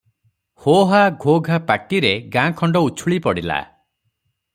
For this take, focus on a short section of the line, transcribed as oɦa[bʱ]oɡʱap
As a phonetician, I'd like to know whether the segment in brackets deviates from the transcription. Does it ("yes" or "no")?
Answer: yes